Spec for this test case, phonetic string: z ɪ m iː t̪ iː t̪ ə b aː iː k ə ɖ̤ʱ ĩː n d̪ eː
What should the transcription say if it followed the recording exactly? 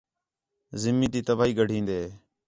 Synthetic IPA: z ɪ m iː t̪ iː t̪ ə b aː iː ɡ ə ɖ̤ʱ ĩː n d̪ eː